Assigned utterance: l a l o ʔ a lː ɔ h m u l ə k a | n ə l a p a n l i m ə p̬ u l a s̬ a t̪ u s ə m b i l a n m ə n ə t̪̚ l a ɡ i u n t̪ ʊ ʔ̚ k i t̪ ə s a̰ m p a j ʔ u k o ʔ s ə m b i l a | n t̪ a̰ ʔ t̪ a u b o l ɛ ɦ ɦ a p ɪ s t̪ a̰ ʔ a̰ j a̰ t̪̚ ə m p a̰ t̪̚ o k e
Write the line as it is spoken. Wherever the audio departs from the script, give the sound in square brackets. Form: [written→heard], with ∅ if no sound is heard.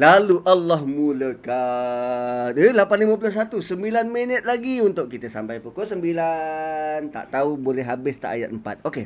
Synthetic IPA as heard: l a l [o→u] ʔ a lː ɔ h m u l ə k a | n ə l a p a n l i m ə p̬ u l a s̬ a t̪ u s ə m b i l a n m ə n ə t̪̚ l a ɡ i u n t̪ ʊ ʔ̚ k i t̪ ə s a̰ m p a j [ʔ→p] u k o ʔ s ə m b i l a | n t̪ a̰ ʔ t̪ a u b o l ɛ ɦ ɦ a [p→b] ɪ s t̪ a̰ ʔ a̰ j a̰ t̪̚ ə m p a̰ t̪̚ o k e